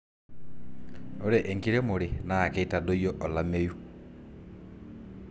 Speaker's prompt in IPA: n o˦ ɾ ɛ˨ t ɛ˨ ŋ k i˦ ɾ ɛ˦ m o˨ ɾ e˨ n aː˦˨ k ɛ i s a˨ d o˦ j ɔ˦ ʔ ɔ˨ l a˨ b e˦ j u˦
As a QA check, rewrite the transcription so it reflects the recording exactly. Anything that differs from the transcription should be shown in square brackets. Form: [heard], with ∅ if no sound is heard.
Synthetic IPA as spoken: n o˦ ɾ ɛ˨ [ʔ] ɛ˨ ŋ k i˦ ɾ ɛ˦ m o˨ ɾ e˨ n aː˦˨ k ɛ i [t] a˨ d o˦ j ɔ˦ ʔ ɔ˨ l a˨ [m] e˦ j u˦